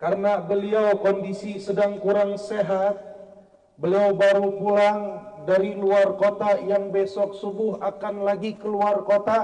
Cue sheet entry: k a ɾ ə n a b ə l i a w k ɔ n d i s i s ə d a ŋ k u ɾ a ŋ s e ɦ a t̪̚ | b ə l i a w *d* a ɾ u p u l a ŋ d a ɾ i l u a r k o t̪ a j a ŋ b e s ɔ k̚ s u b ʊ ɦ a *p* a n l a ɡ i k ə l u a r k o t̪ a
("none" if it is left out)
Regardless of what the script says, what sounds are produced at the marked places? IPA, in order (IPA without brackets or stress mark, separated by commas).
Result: b, k